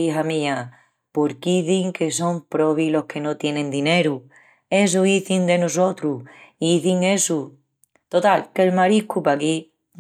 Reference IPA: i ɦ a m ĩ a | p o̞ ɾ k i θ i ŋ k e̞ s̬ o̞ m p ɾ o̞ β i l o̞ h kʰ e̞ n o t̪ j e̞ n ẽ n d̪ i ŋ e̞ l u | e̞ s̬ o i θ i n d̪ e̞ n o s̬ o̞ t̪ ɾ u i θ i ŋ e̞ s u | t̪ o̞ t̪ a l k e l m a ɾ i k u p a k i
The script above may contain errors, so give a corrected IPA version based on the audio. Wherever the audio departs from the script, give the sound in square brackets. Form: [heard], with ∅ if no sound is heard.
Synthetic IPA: i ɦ a m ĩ a | p o̞ ɾ k i θ i ŋ k e̞ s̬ o̞ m p ɾ o̞ β i l o̞ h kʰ e̞ n o t̪ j e̞ n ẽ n d̪ i [n] e̞ [ɾ] u | e̞ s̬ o i θ i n d̪ e̞ n o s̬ o̞ t̪ ɾ u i θ i ŋ e̞ s u | t̪ o̞ t̪ a l k e l m a ɾ i k u p a k i

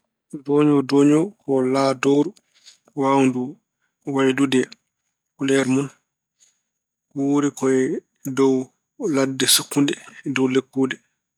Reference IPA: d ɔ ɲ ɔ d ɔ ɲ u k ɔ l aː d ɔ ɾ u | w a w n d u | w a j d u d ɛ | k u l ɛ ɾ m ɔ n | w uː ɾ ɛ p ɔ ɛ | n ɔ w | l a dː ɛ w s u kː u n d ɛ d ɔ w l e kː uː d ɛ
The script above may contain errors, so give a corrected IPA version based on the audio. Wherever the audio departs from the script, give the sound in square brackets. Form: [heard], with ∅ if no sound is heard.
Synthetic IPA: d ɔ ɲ ɔ d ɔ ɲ [ɔ] k ɔ l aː d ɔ ɾ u | w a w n d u | w a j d u d ɛ | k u l ɛ ɾ m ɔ n | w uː ɾ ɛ [k] ɔ ɛ | [d] ɔ w | l a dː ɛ [∅] s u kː u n d ɛ d ɔ w l e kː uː d ɛ

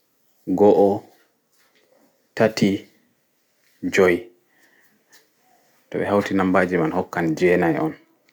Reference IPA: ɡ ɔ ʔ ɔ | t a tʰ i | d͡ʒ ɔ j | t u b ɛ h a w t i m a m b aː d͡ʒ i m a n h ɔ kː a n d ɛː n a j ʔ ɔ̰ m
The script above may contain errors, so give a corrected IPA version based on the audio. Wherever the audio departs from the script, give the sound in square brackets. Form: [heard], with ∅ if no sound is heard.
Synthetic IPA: ɡ ɔ ʔ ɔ | t a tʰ i | d͡ʒ ɔ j | t [ɔ] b ɛ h a w t i [n] a m b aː d͡ʒ i m a n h ɔ kː a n [d͡ʒ] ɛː n a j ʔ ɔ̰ [n]

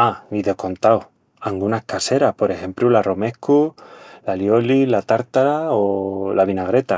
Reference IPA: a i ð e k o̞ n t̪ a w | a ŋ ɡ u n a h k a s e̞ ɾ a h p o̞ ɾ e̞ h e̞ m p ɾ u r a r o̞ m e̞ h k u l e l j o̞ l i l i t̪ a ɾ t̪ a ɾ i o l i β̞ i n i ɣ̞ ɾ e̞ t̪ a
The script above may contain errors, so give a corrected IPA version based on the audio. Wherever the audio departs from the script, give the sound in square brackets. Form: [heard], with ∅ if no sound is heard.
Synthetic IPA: a i ð e k o̞ n t̪ a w | a ŋ ɡ u n a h k a s e̞ ɾ a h p o̞ ɾ e̞ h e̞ m p ɾ u [l] a r o̞ m e̞ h k u l [a] l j o̞ l i l [a] t̪ a ɾ t̪ a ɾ [a] o l [a] β̞ i n [a] ɣ̞ ɾ e̞ t̪ a

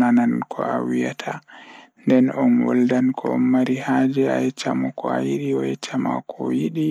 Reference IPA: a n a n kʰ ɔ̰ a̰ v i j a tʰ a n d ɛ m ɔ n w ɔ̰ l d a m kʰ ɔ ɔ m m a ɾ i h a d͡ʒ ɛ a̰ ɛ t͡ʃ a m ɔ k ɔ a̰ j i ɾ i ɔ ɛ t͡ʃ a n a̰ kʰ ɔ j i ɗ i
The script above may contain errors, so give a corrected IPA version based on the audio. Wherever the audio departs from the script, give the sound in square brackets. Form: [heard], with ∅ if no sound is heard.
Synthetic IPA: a n a n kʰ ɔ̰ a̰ [w] i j a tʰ a n d ɛ [n] ɔ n w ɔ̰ l d a [n] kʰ ɔ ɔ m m a ɾ i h a d͡ʒ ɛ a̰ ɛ t͡ʃ a m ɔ k ɔ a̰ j i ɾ i ɔ ɛ t͡ʃ a [m] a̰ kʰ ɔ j i ɗ i

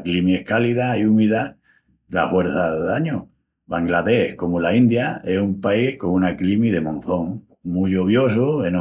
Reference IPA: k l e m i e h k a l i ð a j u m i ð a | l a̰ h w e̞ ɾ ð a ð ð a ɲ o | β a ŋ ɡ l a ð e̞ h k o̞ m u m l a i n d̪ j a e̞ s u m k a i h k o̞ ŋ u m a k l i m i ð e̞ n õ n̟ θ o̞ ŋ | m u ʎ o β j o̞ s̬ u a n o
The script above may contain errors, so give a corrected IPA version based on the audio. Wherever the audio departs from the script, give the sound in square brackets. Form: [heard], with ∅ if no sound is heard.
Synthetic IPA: k l [i] m i e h k a l i ð a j u m i ð a | l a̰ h w e̞ ɾ [θ] a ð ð a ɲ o | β a ŋ ɡ l a ð e̞ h k o̞ m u [∅] l a i n d̪ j a e̞ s u m [p] a i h k o̞ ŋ u [n] a k l i m i ð e̞ [m] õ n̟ θ o̞ ŋ | m u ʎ o β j o̞ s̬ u [e] n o

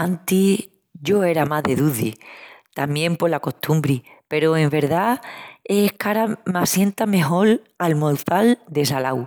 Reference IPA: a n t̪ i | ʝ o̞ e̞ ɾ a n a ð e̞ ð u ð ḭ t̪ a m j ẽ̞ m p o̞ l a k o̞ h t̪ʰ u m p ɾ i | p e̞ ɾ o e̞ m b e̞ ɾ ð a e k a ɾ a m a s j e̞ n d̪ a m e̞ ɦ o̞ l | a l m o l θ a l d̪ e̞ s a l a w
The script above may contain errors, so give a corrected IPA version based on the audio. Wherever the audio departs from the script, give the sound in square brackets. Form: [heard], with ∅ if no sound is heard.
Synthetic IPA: a n t̪ i | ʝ o̞ e̞ ɾ a [m] a ð e̞ ð u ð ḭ t̪ a m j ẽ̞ m p o̞ l a k o̞ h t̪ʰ u m [b] ɾ i | p e̞ ɾ o e̞ m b e̞ ɾ ð a e k a ɾ a m a s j e̞ n [t̪] a m e̞ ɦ o̞ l | a l m o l θ a l d̪ e̞ s a l a w

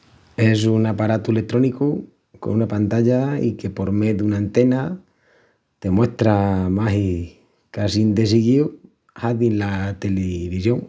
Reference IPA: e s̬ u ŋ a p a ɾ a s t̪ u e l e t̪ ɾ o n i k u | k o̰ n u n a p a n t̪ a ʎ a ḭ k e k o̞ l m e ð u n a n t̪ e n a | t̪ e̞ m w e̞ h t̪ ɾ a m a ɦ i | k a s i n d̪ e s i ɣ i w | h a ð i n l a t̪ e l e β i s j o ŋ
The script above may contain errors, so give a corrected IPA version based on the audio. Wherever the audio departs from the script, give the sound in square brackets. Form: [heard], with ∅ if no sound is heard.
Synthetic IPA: e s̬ u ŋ a p a ɾ a [∅] t̪ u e l e t̪ ɾ o n i k u | k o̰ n u n a p a n t̪ a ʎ a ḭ k e [p] o̞ [ɾ] m e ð u n a n t̪ e n a | t̪ e̞ m w e̞ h t̪ ɾ a m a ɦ i | k a s i n d̪ e s i ɣ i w | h a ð i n l a t̪ e l e β i s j o ŋ

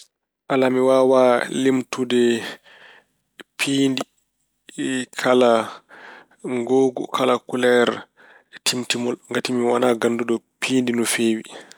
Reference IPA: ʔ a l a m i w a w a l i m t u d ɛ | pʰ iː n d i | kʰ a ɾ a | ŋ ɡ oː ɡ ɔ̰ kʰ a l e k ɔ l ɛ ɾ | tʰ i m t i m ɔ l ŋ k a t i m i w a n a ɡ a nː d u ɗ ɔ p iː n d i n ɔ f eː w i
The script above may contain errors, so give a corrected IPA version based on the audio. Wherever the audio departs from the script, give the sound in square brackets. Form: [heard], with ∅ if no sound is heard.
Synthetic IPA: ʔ a l a m i w a w a l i m t u d ɛ | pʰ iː n d i | kʰ a [l] a | ŋ ɡ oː ɡ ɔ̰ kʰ a l [a] k [u] l ɛ ɾ | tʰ i m t i m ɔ l ŋ [ɡ] a t i m i w a n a ɡ a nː d u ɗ ɔ p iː n d i n ɔ f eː w i

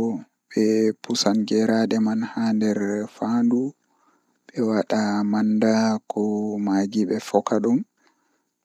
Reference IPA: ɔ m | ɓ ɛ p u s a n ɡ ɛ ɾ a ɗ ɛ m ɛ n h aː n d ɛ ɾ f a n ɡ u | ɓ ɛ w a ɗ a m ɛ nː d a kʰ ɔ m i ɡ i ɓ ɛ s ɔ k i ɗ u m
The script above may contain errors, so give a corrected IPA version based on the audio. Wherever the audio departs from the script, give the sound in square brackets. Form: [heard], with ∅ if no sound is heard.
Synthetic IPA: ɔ [∅] | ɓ ɛ p u s a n ɡ ɛ ɾ a ɗ ɛ m [a] n h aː n d ɛ ɾ f a n [d] u | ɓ ɛ w a ɗ a m [a] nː d a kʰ ɔ m [a] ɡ i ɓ ɛ [f] ɔ k [a] ɗ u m

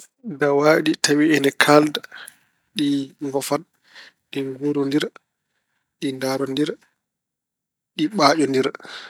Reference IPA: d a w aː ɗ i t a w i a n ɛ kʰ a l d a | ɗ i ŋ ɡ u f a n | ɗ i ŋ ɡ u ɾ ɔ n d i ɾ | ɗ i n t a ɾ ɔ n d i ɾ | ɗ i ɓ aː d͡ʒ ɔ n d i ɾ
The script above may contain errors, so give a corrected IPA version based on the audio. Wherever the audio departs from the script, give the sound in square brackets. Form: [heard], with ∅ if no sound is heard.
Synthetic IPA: d a w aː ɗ i t a w i [ɛ] n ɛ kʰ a l d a | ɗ i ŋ ɡ [ɔ] f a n | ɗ i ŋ ɡ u ɾ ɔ n d i ɾ | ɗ i n [d] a ɾ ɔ n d i ɾ | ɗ i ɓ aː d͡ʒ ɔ n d i ɾ

